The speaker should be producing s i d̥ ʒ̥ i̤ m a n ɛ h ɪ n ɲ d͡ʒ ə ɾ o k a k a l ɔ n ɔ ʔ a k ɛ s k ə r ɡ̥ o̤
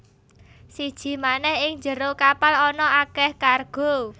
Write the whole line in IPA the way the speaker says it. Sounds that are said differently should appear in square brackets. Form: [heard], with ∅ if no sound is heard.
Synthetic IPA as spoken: s i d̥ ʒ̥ i̤ m a n ɛ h ɪ [ŋ] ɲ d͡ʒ ə ɾ o k a [p] a l ɔ n ɔ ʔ a k ɛ [h] k [a] r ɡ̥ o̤